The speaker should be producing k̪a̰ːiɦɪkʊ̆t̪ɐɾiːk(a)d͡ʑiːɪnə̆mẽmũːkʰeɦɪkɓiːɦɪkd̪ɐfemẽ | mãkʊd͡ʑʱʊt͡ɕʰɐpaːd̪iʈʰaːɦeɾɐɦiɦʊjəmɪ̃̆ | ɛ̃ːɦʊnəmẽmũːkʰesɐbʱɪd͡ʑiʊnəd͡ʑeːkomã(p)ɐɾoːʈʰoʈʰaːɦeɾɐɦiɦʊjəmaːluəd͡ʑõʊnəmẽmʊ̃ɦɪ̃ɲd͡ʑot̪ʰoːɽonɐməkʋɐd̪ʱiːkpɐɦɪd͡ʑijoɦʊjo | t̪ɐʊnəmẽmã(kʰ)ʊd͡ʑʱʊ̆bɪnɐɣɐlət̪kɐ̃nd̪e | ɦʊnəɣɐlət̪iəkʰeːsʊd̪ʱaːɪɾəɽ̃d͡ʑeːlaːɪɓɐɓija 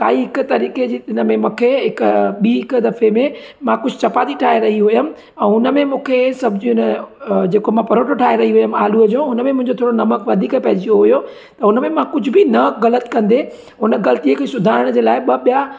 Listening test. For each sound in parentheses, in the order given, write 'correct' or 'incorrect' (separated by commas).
incorrect, correct, incorrect